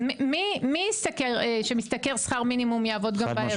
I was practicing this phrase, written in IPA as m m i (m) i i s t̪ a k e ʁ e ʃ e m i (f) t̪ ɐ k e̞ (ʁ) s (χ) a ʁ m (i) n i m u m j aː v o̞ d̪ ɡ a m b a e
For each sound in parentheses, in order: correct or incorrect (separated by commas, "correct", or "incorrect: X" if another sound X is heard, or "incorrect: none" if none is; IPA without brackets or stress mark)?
correct, incorrect: s, correct, correct, correct